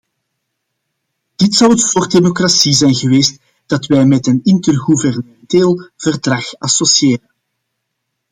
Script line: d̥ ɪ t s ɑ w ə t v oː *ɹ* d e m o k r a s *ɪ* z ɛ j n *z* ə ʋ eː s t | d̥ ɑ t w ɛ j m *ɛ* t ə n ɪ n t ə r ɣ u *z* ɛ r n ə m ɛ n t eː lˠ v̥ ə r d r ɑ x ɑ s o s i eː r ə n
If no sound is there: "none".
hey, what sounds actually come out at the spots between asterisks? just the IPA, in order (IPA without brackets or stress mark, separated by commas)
r, i, ɣ, ɛ, v